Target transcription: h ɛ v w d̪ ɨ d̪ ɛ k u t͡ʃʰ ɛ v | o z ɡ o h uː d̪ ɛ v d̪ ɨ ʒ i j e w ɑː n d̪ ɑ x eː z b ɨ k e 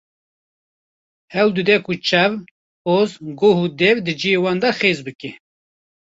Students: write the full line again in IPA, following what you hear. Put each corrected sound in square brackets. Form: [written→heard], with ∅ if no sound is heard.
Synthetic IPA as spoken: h ɛ [v→∅] w d̪ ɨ d̪ ɛ k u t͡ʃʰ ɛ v | o z ɡ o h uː d̪ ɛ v d̪ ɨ [ʒ→d͡ʒ] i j e w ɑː n d̪ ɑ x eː z b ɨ k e